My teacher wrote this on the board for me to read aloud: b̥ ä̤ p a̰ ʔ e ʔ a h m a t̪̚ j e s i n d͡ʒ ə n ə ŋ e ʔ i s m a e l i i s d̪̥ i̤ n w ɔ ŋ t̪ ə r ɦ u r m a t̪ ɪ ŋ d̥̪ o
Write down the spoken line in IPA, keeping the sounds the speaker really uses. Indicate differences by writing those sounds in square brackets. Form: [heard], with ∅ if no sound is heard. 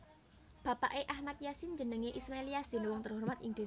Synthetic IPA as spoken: b̥ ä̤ p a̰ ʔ e ʔ a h m a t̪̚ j [a] s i n d͡ʒ ə n ə ŋ e ʔ i s m a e l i [a] s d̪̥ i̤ n w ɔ ŋ t̪ ə r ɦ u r m a t̪ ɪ ŋ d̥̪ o